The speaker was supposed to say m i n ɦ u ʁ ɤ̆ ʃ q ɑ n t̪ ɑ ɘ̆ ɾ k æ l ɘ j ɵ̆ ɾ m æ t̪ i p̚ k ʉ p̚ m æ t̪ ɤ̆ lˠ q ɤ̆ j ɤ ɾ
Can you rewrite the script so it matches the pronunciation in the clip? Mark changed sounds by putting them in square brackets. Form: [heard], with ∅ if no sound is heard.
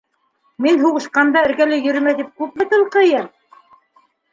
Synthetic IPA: m i n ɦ u ʁ ɤ̆ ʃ q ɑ n [d̪] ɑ ɘ̆ ɾ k æ l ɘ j ɵ̆ ɾ m æ t̪ i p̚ k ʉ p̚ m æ t̪ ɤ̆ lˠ q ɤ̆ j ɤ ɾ